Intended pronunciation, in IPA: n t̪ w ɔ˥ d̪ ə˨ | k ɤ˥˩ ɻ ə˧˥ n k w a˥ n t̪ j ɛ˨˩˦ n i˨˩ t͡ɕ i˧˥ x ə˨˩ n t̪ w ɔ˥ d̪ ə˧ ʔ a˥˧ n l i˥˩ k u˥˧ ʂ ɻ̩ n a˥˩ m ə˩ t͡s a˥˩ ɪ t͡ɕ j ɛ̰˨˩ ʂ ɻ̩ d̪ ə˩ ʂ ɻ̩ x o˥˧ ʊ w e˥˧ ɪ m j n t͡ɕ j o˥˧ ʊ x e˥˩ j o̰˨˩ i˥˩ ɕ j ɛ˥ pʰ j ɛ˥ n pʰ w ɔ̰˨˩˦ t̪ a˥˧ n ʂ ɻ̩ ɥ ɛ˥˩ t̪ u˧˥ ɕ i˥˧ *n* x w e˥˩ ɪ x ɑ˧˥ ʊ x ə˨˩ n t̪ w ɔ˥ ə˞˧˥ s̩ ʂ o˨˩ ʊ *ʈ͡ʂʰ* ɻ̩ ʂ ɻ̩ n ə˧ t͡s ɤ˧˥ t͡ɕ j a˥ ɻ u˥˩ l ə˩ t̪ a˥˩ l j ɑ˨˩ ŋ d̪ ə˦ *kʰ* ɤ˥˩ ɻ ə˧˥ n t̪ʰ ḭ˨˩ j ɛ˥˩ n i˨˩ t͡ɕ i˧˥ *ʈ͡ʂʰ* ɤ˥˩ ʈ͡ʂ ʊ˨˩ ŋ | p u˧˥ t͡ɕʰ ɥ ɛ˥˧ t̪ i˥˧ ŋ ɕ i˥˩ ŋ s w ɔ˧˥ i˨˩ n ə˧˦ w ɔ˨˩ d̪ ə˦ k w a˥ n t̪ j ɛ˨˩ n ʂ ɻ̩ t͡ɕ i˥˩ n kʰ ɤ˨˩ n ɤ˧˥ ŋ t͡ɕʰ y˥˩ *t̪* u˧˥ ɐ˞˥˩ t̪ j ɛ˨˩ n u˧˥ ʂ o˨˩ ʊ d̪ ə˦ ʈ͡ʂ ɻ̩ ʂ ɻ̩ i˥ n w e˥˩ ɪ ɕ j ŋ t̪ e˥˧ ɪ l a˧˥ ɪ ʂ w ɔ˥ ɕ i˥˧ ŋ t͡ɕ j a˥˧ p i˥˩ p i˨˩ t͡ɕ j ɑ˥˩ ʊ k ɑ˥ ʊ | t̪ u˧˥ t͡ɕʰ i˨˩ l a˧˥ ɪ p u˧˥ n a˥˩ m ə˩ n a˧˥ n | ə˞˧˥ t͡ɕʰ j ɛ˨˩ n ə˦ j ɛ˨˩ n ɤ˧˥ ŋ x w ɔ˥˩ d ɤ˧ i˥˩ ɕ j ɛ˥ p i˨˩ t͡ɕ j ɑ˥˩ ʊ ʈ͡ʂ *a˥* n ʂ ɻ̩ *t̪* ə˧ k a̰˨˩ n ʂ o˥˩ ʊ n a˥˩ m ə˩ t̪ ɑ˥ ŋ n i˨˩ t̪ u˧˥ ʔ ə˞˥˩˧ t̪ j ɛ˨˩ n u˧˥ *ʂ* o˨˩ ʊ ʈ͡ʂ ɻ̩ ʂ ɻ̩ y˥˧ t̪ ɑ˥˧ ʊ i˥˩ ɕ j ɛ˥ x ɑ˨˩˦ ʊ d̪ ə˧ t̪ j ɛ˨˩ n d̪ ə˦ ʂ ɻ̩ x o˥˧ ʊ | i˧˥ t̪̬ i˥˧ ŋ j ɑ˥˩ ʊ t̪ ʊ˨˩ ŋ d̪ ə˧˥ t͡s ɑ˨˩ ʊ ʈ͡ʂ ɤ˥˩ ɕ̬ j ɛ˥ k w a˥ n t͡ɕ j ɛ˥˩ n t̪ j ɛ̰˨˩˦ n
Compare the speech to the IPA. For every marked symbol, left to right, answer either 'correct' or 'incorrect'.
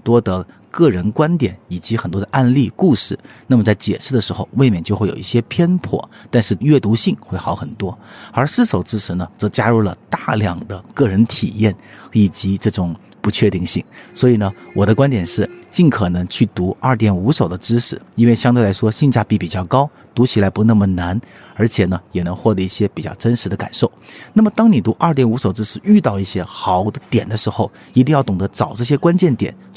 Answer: incorrect: ŋ, incorrect: ʈ͡ʂ, incorrect: k, incorrect: ʈ͡ʂ, correct, incorrect: ə˥, incorrect: d̪, correct

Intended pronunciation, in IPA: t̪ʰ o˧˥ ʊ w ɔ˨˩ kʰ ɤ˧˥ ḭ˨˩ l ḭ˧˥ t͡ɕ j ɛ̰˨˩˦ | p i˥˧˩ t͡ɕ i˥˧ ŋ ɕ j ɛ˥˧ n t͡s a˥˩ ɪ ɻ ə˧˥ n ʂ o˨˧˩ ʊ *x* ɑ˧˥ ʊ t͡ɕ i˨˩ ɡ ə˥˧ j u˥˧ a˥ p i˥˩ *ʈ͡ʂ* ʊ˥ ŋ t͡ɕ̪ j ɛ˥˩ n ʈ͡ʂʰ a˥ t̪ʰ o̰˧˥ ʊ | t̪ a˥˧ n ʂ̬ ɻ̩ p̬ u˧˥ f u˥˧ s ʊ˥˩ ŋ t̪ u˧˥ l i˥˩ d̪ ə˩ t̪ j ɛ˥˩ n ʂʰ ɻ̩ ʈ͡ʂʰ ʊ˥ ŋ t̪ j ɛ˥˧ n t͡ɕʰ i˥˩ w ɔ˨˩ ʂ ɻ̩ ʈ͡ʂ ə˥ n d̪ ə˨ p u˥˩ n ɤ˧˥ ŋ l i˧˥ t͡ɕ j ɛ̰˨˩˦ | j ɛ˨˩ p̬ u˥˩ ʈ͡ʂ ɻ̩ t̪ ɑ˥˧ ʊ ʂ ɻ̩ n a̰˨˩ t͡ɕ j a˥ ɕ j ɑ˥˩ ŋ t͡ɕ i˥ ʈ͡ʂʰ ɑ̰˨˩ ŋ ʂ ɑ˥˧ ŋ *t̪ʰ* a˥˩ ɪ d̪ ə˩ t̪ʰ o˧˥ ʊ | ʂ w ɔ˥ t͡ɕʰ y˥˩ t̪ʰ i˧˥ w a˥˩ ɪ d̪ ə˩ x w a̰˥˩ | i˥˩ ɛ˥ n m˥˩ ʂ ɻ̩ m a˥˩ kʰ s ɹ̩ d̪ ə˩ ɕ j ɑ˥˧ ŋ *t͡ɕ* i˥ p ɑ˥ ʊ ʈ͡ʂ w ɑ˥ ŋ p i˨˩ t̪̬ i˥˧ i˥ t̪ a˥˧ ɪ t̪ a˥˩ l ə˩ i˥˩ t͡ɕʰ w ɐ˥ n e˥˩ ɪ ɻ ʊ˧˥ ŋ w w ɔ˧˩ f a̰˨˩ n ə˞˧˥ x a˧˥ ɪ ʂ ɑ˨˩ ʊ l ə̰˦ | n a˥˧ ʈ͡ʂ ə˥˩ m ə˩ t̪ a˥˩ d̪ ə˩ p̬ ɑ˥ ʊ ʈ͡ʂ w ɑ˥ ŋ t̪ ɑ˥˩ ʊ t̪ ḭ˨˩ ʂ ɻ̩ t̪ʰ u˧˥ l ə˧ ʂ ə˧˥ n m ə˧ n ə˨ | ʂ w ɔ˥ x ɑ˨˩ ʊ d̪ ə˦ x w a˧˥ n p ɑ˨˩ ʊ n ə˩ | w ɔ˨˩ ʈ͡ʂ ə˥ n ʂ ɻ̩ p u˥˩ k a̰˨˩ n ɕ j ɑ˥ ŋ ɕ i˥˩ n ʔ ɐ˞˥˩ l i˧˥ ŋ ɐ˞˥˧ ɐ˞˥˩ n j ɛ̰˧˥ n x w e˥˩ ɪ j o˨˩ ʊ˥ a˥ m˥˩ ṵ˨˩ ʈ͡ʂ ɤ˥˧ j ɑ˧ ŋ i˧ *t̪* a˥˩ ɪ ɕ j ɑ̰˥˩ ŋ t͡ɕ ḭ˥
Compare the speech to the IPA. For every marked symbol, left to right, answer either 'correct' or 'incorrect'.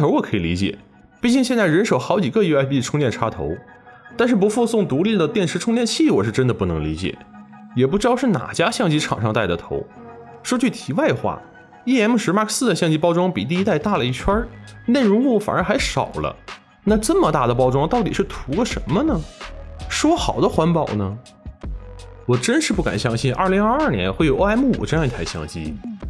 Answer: correct, incorrect: ʈ͡ʂʰ, incorrect: t̪, correct, incorrect: t̪ʰ

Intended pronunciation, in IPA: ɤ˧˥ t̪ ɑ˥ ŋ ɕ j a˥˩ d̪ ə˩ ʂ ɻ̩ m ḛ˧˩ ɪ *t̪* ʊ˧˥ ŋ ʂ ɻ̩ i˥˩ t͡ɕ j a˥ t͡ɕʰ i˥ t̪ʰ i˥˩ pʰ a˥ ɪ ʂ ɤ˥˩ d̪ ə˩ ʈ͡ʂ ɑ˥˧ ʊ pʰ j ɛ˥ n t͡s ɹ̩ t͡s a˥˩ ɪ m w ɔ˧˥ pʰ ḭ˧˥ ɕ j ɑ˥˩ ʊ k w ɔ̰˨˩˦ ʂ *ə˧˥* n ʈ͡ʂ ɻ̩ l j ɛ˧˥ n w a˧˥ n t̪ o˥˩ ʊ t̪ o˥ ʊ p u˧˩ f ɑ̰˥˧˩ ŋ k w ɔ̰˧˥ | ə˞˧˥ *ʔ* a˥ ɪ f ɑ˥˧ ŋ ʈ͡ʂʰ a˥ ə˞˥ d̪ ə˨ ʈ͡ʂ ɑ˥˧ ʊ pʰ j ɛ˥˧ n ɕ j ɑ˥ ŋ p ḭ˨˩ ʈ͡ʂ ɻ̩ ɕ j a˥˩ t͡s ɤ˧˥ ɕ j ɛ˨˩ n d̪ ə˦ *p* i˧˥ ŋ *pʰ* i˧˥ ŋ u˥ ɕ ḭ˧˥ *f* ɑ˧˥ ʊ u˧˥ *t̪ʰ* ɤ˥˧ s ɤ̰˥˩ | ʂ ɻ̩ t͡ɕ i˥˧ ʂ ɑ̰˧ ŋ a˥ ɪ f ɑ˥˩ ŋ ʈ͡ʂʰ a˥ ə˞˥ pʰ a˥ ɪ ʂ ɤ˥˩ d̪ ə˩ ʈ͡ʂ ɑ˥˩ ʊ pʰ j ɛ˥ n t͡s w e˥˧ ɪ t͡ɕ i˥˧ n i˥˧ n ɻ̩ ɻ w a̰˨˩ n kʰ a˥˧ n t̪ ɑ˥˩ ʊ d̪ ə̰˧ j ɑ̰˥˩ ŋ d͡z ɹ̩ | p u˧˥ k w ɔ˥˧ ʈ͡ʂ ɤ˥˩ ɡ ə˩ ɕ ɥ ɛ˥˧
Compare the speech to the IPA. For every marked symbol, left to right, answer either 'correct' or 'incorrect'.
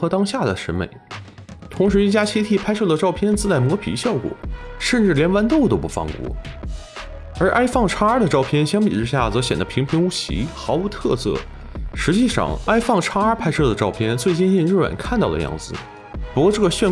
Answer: incorrect: t̪ʰ, incorrect: ə˥˧, correct, incorrect: pʰ, correct, incorrect: x, correct

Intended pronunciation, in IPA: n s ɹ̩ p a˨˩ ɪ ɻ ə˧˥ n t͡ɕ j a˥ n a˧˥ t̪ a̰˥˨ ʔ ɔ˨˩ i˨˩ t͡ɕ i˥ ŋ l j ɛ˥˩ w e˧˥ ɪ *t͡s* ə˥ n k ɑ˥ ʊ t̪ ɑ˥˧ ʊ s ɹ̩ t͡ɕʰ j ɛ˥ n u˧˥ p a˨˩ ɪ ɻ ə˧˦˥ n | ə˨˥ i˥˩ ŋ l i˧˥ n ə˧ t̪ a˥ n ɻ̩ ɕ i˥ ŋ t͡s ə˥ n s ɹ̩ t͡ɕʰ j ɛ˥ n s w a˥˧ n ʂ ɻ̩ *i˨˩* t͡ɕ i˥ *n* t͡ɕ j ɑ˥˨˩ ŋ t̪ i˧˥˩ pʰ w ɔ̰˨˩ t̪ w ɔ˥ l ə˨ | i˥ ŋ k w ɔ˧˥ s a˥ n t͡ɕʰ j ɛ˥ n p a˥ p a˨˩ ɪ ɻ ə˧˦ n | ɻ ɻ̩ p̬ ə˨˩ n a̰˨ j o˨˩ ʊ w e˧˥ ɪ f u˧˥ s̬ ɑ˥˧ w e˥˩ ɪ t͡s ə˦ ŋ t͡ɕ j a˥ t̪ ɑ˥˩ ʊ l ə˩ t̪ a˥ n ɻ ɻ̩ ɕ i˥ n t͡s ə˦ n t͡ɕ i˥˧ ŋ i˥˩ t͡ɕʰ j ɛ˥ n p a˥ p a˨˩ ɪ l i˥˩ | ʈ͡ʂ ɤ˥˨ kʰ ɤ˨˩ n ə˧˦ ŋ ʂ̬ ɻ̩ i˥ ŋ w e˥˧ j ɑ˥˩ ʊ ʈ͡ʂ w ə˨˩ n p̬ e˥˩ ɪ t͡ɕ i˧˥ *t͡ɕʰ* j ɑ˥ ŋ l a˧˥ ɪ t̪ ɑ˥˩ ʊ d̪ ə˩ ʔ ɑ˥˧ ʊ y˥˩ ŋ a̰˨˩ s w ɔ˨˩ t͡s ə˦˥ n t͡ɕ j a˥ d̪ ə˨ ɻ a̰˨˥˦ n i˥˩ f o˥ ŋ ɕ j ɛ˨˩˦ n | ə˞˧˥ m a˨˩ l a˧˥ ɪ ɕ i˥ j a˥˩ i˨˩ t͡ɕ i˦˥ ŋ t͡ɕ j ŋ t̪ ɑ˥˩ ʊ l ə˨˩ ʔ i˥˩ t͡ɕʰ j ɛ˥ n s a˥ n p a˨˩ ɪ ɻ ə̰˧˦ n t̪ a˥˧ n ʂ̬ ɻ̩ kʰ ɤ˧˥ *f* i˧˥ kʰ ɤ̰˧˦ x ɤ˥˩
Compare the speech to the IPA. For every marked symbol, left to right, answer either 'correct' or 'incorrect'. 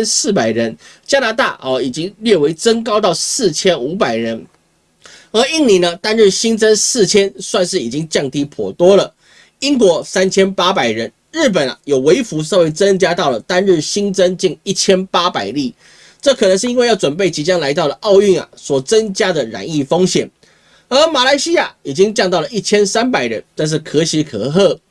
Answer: correct, correct, incorrect: ŋ, incorrect: t͡ɕ, incorrect: ɕ

